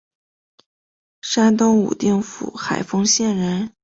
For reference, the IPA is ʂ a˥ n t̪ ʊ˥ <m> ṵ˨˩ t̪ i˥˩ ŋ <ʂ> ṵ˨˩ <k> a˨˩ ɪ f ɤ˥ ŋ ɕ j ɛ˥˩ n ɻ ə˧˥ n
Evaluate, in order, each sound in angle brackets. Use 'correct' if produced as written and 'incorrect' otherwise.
incorrect: ŋ, incorrect: f, incorrect: x

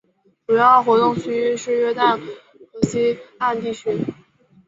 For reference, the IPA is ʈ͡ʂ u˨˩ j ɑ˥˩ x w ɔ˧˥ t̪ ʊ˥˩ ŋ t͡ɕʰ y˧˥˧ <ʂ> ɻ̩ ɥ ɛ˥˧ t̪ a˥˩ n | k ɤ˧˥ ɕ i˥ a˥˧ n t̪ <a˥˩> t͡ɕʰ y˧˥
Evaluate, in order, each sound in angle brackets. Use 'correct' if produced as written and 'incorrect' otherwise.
correct, incorrect: i˥˩

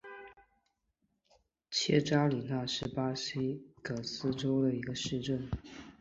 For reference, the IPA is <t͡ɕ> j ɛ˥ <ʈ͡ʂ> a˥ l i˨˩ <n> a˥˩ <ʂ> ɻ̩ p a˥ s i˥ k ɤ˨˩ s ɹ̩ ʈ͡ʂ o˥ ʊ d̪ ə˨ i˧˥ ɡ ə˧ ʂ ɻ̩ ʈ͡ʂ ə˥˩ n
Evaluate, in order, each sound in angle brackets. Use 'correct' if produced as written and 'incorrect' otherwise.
incorrect: t͡ɕʰ, correct, correct, correct

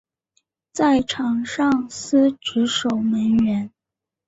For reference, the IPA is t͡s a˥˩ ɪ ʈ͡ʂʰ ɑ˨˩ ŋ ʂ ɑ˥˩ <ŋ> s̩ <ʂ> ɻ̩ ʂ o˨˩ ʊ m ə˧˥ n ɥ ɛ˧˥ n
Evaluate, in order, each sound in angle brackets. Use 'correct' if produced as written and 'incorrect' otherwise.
correct, incorrect: ʈ͡ʂ

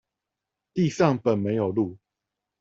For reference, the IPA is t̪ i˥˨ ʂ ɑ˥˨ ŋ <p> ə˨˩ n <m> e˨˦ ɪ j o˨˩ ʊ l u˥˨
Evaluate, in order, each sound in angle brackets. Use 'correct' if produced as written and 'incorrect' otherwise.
correct, correct

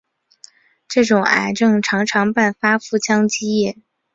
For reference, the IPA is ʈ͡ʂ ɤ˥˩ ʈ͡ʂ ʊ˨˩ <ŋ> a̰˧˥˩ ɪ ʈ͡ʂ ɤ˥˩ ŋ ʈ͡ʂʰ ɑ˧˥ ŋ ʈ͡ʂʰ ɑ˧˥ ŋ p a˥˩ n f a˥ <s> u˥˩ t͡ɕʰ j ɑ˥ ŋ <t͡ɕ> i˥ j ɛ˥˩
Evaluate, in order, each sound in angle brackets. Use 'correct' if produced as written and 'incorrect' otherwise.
correct, incorrect: f, correct

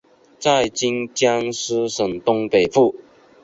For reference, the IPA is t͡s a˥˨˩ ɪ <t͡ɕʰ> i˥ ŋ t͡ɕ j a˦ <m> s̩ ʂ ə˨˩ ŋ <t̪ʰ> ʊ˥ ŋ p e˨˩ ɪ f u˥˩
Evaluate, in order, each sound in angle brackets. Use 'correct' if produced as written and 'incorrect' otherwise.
incorrect: t͡ɕ, incorrect: ŋ, incorrect: t̪

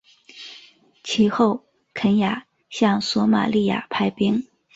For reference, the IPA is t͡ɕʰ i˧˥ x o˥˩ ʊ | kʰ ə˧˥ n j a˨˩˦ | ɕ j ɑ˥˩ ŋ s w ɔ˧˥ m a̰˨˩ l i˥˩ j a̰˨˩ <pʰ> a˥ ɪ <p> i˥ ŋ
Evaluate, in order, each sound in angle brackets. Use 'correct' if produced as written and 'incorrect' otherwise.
correct, correct

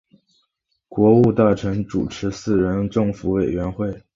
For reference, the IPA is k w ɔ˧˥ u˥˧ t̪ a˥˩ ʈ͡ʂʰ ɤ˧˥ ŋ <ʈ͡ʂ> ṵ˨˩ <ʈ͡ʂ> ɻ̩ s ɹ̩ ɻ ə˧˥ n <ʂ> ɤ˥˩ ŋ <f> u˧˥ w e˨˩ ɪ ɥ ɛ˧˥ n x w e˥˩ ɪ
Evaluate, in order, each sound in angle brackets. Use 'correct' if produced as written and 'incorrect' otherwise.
correct, incorrect: ʈ͡ʂʰ, incorrect: ʈ͡ʂ, correct

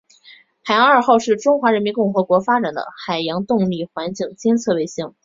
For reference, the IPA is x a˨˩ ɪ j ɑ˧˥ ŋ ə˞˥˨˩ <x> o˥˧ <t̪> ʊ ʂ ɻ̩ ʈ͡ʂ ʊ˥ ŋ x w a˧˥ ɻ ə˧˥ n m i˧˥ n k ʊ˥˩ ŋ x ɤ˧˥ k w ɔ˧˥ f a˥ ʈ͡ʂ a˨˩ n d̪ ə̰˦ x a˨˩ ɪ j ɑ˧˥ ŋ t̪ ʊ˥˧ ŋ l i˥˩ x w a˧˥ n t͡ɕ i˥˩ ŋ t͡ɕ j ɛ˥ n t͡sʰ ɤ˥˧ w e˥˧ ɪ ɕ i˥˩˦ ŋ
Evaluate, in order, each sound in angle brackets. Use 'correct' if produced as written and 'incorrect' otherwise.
correct, incorrect: none

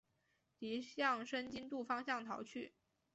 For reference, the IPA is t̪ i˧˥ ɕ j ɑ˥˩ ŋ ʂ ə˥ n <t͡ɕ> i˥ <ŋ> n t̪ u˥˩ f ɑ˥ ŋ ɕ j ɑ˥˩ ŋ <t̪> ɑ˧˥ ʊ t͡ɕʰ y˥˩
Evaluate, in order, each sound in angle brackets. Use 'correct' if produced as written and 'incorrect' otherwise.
correct, incorrect: none, incorrect: t̪ʰ

